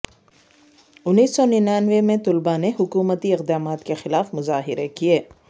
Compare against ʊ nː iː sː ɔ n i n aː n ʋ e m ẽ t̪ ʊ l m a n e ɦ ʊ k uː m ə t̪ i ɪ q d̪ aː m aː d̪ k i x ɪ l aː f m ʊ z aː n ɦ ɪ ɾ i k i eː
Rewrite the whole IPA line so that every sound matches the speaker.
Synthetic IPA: ʊ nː iː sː ɔ n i n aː n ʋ e m ẽ t̪ ʊ l b a n e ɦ ʊ k uː m ə t̪ i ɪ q d̪ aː m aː t̪ k e x ɪ l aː f m ʊ z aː ɦ ɪ ɾ e k i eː